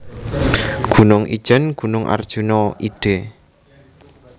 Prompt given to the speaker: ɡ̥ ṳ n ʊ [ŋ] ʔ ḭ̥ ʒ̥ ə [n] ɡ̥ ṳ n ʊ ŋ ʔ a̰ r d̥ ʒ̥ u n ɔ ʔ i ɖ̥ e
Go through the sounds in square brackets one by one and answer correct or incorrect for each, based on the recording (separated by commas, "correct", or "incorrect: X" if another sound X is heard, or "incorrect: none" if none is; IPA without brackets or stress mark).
correct, correct